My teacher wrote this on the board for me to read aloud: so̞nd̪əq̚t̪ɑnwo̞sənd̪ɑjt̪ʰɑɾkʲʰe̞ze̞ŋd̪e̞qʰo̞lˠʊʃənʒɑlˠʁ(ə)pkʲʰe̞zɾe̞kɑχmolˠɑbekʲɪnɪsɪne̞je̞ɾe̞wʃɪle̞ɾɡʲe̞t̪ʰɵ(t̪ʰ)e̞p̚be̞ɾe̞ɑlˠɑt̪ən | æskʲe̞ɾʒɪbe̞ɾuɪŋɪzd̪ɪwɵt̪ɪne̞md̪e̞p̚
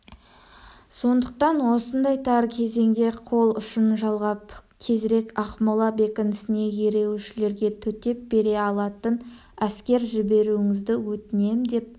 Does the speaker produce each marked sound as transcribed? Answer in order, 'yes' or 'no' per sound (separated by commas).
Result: no, no